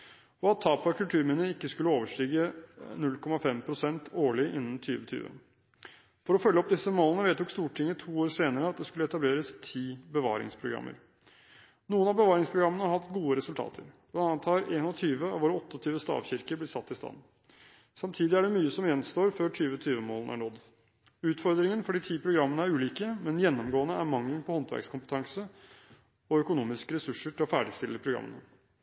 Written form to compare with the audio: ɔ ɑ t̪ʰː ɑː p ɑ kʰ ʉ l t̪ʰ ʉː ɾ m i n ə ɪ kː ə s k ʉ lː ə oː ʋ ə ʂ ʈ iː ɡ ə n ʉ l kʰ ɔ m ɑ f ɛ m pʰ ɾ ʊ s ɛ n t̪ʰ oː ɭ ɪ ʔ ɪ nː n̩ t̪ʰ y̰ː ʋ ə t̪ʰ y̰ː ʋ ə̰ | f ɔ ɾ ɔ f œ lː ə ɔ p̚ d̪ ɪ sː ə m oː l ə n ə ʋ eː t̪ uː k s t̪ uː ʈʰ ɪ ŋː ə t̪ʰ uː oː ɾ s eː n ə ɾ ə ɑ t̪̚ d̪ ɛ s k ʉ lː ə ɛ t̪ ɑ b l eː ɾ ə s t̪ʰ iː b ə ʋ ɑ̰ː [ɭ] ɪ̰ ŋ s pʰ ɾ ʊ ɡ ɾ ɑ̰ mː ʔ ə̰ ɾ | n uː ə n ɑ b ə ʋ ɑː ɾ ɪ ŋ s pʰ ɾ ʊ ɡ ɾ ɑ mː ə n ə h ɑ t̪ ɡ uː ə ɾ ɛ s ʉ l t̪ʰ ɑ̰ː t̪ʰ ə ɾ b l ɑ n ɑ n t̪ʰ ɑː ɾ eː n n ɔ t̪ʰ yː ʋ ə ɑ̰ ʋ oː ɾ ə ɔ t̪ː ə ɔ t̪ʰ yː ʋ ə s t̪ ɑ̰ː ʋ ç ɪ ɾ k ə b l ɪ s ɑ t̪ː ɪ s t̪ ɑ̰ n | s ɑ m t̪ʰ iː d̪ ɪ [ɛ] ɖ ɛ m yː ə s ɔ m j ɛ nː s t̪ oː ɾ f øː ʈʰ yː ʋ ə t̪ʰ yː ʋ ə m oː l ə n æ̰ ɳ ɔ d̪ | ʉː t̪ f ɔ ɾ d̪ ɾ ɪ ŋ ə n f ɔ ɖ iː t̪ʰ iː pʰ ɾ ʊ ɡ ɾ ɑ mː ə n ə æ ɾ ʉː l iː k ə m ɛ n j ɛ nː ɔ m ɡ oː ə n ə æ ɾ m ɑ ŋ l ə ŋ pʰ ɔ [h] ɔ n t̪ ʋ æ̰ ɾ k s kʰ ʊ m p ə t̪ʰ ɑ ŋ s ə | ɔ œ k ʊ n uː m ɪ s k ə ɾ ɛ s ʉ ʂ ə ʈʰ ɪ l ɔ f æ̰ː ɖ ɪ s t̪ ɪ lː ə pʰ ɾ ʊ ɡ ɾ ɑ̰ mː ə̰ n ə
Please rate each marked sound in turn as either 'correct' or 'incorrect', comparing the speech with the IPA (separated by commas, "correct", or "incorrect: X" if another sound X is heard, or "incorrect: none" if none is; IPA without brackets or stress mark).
incorrect: ɾ, incorrect: æ, correct